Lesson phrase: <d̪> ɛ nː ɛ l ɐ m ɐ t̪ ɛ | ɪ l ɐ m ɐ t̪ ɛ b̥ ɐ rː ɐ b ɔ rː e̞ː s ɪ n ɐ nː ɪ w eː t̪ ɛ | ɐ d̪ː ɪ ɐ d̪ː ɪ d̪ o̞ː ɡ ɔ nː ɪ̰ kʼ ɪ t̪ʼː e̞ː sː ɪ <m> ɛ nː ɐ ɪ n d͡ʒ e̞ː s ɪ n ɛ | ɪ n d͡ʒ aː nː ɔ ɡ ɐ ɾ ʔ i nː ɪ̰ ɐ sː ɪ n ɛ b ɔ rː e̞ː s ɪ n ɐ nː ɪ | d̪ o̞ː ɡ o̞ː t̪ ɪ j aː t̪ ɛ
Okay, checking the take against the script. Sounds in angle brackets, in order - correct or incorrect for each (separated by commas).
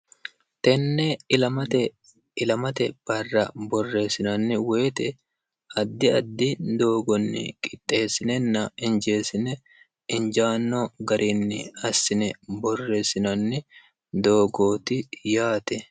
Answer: incorrect, incorrect